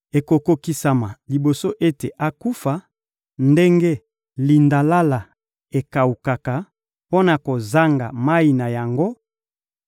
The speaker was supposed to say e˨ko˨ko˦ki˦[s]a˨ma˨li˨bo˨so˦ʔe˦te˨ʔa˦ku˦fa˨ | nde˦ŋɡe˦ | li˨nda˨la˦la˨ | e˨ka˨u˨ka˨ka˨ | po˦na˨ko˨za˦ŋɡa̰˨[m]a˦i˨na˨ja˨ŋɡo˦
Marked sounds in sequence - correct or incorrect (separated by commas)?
correct, correct